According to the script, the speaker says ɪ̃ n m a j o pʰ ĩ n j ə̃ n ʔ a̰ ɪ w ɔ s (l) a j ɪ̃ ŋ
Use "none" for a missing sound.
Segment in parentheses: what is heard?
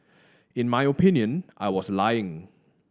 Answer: l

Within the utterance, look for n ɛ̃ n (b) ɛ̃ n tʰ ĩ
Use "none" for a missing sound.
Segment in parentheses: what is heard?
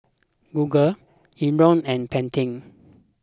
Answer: p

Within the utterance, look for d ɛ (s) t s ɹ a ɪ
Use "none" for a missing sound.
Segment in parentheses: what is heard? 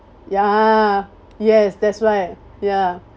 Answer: none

